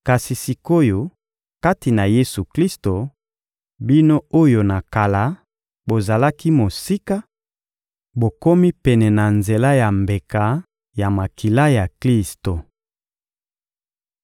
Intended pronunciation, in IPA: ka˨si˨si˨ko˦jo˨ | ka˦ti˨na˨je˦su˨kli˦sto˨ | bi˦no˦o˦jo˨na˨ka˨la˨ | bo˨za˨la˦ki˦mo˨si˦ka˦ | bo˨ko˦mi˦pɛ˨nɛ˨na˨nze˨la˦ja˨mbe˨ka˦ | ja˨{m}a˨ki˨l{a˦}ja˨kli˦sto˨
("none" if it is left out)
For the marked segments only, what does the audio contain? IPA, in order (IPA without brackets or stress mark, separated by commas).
m, a˦